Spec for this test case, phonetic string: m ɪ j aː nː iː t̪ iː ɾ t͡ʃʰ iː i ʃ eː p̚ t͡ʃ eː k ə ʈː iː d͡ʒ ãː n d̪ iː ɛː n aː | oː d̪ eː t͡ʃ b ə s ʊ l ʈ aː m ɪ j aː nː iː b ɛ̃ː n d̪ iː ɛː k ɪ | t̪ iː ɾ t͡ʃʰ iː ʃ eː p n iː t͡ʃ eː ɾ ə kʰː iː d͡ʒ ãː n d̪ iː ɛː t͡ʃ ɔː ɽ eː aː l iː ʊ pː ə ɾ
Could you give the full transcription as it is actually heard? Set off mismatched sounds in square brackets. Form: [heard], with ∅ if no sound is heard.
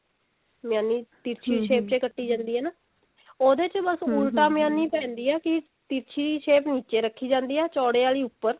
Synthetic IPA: m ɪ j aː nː iː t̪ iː ɾ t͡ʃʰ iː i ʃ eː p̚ t͡ʃ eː k ə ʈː iː d͡ʒ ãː n d̪ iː ɛː n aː | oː d̪ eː t͡ʃ b ə s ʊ l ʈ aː m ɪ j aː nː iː [p] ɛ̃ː n d̪ iː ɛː k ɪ | t̪ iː ɾ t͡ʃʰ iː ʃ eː p n iː t͡ʃ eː ɾ ə kʰː iː d͡ʒ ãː n d̪ iː ɛː t͡ʃ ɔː ɽ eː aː l iː ʊ pː ə ɾ

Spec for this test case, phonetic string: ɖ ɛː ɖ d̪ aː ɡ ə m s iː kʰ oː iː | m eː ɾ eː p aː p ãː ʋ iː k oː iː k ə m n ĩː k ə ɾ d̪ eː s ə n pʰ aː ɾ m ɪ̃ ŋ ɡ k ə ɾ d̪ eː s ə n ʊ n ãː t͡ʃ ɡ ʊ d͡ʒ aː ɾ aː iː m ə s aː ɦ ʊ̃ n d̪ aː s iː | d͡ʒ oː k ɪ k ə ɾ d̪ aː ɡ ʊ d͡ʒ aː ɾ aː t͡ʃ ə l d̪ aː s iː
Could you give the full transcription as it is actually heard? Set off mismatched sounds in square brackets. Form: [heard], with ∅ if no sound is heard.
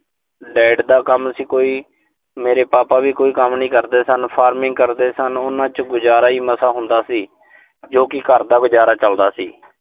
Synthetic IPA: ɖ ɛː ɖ d̪ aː [k] ə m s iː [k] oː iː | m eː ɾ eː p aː p [aː] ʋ iː k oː iː k ə m n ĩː k ə ɾ d̪ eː s ə n pʰ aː ɾ m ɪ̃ ŋ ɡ k ə ɾ d̪ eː s ə n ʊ n ãː t͡ʃ ɡ ʊ d͡ʒ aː ɾ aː iː m ə s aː ɦ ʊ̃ n d̪ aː s iː | d͡ʒ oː k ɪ k ə ɾ d̪ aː ɡ ʊ d͡ʒ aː ɾ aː t͡ʃ ə l d̪ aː s iː

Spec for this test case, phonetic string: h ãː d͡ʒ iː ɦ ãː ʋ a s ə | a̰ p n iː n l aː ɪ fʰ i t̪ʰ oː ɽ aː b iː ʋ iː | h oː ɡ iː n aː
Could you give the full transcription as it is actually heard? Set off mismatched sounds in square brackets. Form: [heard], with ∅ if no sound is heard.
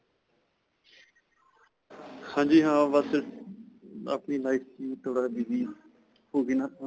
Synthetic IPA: h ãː d͡ʒ iː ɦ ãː ʋ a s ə | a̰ p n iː [∅] l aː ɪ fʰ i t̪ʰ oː ɽ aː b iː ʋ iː | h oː ɡ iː n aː

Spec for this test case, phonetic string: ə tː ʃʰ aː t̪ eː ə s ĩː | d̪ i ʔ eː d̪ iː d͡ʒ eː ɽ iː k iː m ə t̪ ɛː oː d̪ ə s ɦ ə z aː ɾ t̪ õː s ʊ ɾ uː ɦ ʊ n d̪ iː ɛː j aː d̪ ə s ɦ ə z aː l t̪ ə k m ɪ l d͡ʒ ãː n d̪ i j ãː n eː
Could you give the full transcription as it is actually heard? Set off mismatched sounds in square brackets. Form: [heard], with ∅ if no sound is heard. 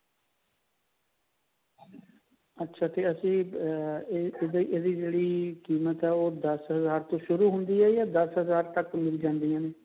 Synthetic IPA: ə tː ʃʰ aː t̪ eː ə s ĩː | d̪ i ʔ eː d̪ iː d͡ʒ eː ɽ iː k iː m ə t̪ ɛː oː d̪ ə s ɦ ə z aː ɾ t̪ õː [ʃ] ʊ ɾ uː ɦ ʊ n d̪ iː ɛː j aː d̪ ə s ɦ ə z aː [ɾ] t̪ ə k m ɪ l d͡ʒ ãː n d̪ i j ãː n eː

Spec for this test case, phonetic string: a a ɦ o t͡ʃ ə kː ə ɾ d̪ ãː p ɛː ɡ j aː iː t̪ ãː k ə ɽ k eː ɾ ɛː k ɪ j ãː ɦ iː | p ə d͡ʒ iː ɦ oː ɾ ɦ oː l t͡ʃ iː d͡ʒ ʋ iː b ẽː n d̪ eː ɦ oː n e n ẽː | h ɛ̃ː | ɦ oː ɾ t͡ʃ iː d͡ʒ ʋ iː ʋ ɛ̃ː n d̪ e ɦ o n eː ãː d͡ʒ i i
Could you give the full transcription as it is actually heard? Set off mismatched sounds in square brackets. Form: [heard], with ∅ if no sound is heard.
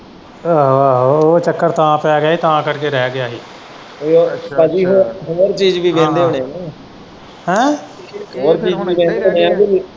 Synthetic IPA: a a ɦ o t͡ʃ ə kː ə ɾ [t̪] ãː p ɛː ɡ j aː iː t̪ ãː k ə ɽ k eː ɾ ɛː [ɡ] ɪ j [aː] ɦ iː | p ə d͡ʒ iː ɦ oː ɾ ɦ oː [ɾ] t͡ʃ iː d͡ʒ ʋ iː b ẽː n d̪ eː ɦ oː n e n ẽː | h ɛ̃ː | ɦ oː ɾ t͡ʃ iː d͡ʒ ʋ iː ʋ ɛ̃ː n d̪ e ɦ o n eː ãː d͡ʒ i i

